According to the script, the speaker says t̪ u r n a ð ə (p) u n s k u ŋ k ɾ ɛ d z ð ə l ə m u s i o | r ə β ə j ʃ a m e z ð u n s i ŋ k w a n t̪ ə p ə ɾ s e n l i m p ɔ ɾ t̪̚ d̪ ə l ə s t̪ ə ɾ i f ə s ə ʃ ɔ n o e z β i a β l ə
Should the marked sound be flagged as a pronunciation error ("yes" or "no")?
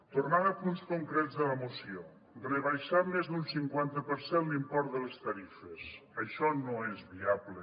no